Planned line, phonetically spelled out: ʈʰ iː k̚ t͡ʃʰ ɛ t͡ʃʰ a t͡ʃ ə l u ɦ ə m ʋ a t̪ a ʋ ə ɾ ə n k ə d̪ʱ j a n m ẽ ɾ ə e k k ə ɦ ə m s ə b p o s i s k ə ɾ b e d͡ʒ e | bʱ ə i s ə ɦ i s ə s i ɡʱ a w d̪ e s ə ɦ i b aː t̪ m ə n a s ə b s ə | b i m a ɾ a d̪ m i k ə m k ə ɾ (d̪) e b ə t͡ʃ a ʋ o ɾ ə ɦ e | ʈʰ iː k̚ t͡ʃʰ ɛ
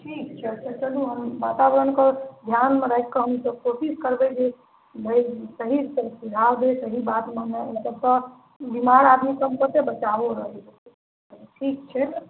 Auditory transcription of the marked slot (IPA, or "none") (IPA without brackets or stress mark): t̪